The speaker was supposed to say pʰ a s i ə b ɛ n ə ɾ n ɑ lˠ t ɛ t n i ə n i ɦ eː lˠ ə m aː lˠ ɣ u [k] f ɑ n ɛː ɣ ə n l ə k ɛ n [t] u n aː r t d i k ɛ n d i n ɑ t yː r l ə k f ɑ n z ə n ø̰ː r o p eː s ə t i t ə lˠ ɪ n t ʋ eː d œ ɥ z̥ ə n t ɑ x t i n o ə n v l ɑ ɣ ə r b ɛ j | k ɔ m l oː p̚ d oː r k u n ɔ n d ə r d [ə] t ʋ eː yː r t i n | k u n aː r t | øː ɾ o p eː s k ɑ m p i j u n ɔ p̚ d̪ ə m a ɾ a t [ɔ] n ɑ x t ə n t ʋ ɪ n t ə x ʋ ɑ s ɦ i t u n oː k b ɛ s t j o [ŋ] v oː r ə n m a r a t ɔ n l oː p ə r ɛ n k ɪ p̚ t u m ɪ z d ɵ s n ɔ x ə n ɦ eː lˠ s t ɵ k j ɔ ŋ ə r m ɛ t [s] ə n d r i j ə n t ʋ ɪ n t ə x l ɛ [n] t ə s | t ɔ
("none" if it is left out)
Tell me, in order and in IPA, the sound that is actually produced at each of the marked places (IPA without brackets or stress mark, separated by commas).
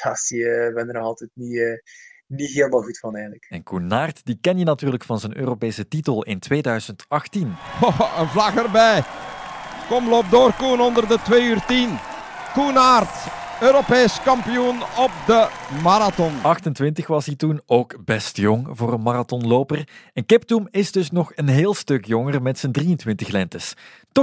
t, k, ə, ɔ, ŋ, s, n